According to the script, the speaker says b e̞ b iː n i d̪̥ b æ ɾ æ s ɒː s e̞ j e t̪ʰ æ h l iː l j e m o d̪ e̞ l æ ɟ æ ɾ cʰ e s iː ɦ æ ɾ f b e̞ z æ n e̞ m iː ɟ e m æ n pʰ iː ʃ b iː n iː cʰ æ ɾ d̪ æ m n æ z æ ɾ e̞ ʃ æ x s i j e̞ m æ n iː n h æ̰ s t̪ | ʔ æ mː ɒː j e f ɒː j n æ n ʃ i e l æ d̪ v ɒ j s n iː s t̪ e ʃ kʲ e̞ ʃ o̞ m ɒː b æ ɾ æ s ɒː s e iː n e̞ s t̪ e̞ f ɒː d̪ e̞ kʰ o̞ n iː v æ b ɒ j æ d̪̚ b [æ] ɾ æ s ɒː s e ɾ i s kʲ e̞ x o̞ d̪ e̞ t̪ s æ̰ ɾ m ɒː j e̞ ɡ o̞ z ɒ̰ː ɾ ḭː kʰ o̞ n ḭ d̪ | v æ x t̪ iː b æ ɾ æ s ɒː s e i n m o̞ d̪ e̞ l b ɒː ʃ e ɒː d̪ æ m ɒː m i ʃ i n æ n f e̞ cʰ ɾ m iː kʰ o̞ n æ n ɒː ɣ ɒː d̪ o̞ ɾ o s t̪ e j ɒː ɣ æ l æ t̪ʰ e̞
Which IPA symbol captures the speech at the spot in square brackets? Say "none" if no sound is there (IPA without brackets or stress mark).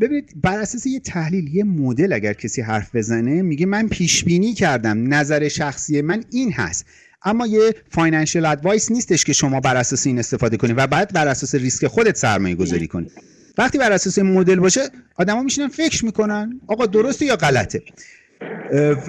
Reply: æ